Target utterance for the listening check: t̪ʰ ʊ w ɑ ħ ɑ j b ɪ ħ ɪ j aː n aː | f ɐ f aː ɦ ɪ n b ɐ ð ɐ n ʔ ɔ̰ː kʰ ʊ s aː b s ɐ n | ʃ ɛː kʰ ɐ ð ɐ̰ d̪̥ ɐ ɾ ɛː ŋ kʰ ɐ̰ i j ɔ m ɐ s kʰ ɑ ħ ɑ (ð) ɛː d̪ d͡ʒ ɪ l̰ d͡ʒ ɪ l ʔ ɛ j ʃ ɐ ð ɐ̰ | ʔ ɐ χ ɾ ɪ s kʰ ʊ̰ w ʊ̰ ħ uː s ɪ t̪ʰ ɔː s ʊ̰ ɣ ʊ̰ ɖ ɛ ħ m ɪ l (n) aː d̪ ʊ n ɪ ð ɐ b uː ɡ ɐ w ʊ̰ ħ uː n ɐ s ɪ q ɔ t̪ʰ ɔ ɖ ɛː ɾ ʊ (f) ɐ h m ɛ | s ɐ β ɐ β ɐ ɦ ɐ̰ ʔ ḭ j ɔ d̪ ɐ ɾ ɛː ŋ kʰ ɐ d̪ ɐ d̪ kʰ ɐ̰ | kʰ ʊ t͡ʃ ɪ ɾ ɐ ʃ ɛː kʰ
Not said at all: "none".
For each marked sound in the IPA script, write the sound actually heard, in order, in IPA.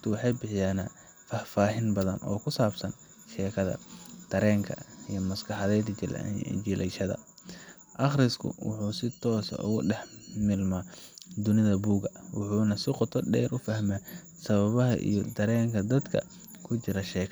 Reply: ð, m, f

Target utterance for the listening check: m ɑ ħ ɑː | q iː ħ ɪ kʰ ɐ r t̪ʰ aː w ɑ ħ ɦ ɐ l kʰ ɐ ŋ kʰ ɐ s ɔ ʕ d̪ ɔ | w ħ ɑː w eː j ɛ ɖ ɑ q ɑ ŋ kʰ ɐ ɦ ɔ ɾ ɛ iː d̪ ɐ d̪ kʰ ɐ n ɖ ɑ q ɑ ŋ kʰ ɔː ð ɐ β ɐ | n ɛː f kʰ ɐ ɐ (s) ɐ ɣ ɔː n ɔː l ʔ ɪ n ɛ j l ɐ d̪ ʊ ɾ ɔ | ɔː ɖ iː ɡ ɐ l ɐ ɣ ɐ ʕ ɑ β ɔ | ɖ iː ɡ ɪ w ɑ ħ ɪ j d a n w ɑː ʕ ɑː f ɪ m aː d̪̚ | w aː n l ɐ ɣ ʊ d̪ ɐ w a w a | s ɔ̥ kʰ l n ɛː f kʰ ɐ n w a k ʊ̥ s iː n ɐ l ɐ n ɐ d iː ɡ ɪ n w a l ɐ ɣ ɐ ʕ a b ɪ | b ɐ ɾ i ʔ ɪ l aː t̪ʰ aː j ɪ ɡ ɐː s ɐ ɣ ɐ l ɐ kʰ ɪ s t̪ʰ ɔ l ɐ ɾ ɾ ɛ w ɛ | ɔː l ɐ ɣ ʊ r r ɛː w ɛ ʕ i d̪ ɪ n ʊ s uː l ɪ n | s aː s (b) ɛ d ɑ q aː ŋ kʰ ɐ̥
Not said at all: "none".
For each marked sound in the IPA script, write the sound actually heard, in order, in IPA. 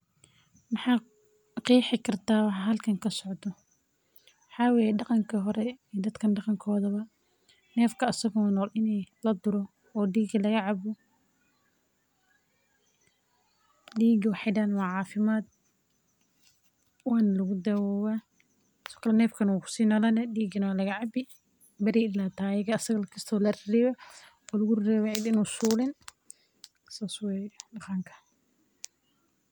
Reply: s, w

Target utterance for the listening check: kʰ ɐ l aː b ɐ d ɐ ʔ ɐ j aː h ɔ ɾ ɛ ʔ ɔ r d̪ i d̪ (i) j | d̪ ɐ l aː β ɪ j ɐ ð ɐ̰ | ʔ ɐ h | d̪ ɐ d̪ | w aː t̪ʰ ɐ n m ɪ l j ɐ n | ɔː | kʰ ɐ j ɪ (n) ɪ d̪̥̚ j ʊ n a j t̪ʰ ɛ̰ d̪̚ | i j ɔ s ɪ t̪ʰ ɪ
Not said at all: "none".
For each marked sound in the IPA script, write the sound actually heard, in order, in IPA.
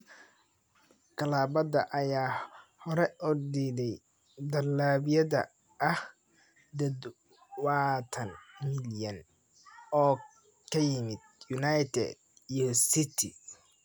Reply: ɛ, m

